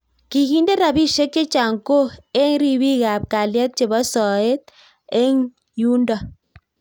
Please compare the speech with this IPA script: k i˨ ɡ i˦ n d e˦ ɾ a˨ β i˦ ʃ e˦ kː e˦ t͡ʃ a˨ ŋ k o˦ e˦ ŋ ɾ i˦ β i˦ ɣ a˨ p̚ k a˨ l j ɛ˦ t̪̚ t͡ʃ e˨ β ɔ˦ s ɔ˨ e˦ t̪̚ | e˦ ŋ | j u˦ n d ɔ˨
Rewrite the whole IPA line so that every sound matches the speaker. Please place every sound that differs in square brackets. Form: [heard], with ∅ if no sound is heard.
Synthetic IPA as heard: k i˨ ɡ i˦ n d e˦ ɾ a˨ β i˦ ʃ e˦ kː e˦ t͡ʃ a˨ ŋ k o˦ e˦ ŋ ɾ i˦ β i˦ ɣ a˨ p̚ k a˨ l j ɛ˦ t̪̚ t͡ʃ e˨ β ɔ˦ s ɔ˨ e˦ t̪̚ | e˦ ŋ | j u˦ n d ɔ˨

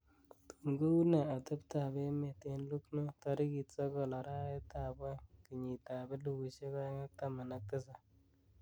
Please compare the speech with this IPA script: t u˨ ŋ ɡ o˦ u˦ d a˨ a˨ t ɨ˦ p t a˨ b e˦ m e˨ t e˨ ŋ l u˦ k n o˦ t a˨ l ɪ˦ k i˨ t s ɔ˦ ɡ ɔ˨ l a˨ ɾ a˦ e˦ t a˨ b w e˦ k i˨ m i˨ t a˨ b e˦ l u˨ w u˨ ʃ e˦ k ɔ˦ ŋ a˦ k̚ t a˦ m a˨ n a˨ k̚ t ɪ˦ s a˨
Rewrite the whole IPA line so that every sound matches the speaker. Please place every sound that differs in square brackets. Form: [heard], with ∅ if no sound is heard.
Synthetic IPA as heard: t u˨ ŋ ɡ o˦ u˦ [n] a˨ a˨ t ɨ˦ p t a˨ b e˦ m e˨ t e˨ [n] l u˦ k n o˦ t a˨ [ɾ] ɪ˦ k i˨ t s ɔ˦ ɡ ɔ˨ l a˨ ɾ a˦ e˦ t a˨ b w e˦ k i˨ [ɲ] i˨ t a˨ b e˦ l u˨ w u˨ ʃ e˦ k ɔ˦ ŋ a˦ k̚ t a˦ m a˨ n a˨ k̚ t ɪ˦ s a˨

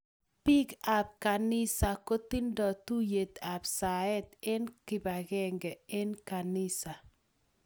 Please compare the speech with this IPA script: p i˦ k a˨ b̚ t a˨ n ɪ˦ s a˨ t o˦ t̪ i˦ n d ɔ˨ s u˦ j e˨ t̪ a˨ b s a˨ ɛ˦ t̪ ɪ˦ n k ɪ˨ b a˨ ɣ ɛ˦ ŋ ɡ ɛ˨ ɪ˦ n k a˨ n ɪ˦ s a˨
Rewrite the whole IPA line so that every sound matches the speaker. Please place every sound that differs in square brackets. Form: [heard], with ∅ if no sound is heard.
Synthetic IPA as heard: p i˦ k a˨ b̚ [k] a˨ n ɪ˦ s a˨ [k] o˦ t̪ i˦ n d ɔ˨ [t] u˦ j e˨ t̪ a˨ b s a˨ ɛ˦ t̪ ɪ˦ n k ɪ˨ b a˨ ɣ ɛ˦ ŋ ɡ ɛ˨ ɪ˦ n k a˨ n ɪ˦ s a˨

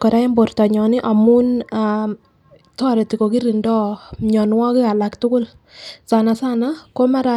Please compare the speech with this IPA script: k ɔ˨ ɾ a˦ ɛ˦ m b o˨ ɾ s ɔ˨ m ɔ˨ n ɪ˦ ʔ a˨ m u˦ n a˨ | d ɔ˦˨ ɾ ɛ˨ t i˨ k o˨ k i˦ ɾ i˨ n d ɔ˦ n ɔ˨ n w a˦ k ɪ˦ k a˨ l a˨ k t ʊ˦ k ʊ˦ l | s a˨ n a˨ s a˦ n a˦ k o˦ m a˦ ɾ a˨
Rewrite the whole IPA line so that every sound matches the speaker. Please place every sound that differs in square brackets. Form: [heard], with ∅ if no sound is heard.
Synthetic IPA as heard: k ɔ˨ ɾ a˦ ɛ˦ m b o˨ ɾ [t] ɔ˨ [ɲ] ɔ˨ n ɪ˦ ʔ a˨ m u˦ n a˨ | [t] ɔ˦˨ ɾ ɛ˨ t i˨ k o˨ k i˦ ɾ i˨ n d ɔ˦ [ɲ] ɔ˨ n w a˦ k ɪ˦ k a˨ l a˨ k t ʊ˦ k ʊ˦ l | s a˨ n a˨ s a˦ n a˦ k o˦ m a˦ ɾ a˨

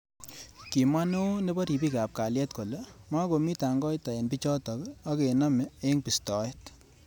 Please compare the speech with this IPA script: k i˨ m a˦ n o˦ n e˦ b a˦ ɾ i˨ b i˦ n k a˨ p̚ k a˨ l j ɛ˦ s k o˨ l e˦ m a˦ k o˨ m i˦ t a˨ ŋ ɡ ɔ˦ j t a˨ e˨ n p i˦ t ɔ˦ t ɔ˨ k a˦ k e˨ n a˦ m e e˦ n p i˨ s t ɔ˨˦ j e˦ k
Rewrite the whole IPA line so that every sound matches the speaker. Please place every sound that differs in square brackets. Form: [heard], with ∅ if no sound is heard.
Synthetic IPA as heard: k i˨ m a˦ n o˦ n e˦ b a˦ ɾ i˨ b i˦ [∅] k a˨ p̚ k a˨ l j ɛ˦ [t] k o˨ l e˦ m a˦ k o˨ m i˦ t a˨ ŋ ɡ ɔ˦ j t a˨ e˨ n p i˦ [t͡ʃ] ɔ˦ t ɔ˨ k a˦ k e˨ n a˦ m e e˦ [ŋ] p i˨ s t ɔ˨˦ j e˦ [t]

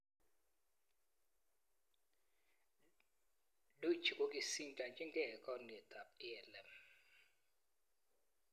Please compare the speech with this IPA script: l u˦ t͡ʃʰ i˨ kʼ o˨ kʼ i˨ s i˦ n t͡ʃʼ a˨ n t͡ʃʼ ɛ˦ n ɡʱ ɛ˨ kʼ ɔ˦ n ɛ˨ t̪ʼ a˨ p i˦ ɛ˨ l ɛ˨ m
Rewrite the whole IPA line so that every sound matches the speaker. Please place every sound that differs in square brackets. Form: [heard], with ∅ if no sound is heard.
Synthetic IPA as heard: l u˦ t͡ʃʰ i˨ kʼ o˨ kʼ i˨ s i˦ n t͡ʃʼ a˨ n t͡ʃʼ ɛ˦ [ŋ] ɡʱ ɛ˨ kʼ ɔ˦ n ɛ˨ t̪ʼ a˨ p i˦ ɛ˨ l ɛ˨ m

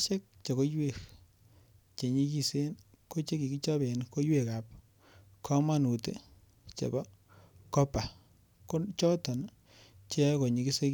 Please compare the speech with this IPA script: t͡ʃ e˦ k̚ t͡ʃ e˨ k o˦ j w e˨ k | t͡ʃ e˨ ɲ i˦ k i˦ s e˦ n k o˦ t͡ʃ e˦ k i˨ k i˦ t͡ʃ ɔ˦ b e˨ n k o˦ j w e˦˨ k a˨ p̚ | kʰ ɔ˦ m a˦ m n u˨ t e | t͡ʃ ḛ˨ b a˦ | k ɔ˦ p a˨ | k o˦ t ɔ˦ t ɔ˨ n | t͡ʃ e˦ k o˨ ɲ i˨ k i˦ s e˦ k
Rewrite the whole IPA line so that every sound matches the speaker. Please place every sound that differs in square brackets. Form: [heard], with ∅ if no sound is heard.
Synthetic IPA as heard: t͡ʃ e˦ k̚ t͡ʃ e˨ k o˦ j w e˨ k | t͡ʃ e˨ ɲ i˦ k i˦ s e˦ n k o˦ t͡ʃ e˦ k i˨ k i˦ t͡ʃ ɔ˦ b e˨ n k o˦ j w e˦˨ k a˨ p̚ | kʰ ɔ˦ m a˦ [∅] n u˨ t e | t͡ʃ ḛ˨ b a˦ | k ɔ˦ p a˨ | k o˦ [t͡ʃ] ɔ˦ t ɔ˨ n | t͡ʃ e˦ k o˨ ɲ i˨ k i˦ s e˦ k

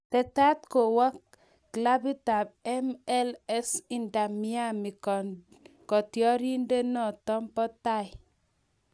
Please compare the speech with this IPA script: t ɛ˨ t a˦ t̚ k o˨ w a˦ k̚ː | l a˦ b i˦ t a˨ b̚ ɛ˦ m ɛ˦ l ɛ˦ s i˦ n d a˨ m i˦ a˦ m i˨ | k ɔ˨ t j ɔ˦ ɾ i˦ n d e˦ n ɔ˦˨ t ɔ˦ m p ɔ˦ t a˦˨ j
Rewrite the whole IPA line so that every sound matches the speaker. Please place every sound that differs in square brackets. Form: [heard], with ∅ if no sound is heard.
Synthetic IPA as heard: t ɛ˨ t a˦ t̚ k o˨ w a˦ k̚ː | l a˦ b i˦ t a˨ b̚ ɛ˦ m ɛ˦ l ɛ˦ s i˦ n d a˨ m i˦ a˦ m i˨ | k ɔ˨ t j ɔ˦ ɾ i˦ n d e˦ n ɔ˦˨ t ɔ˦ m p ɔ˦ t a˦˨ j

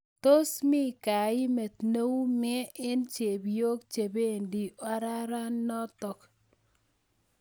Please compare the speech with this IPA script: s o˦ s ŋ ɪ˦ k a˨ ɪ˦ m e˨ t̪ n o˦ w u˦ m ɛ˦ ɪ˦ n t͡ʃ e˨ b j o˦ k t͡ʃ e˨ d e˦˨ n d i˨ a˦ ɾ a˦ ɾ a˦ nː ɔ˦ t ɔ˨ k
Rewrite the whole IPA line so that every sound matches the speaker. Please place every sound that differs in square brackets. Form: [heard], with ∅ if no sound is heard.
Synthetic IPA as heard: [t] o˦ s [m] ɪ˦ k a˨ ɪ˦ m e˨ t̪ n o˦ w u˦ m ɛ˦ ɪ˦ n t͡ʃ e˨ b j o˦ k t͡ʃ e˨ [b] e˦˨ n d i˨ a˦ ɾ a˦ ɾ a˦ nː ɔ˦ t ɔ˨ k

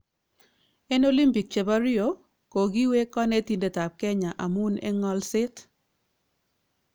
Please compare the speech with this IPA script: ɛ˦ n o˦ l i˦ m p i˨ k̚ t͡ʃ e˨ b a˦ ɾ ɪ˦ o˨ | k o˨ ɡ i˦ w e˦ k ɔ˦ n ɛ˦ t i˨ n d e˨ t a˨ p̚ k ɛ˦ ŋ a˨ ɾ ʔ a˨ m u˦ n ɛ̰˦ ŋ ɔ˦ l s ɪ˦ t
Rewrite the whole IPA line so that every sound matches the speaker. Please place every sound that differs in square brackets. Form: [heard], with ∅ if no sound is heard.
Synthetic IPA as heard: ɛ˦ n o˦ l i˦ m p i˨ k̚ t͡ʃ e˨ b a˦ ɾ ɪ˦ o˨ | k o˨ ɡ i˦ w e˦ k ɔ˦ n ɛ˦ t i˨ n d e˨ t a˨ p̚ k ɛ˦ [ɲ] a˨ [∅] ʔ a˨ m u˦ n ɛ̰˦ ŋ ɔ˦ l s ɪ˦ t

